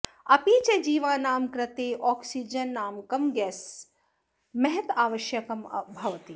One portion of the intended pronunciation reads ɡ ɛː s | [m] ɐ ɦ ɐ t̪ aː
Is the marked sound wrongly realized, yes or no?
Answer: no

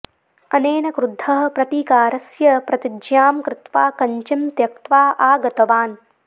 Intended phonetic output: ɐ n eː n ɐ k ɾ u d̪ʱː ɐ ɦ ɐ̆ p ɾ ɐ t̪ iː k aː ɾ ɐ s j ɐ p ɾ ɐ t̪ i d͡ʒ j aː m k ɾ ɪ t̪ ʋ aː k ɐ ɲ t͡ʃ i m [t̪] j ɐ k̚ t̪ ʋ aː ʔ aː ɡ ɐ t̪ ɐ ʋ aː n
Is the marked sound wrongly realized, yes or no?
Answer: no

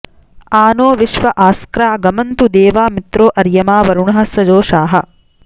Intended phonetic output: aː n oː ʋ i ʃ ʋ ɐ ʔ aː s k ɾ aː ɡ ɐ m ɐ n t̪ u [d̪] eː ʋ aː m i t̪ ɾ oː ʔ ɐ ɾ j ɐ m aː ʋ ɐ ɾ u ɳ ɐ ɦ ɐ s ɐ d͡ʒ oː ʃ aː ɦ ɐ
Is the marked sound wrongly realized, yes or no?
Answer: no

